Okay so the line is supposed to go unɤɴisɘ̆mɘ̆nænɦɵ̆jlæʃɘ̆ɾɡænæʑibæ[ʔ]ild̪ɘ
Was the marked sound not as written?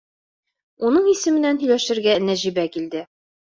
yes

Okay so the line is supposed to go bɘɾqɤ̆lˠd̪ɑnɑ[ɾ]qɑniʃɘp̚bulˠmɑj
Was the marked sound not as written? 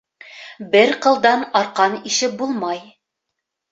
no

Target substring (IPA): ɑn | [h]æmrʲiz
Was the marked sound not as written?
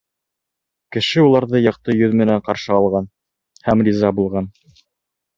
no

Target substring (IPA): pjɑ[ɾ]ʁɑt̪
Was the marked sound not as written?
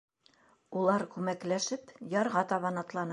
no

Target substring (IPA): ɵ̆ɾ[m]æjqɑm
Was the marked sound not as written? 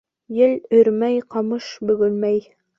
no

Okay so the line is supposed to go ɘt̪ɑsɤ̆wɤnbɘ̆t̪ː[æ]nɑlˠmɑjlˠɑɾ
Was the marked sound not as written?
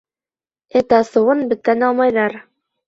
no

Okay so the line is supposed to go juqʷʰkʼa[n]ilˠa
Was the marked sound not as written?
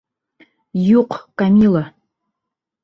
yes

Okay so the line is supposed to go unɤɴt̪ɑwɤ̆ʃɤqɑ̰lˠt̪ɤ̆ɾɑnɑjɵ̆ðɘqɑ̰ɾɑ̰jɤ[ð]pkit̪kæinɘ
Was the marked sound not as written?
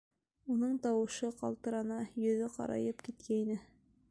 yes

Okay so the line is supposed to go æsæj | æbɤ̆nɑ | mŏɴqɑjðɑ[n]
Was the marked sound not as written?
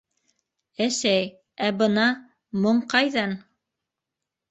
no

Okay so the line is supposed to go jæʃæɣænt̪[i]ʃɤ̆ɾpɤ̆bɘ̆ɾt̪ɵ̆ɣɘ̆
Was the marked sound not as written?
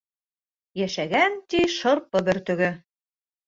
no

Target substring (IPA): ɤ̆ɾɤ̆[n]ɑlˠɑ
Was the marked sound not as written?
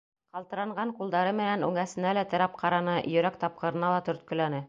no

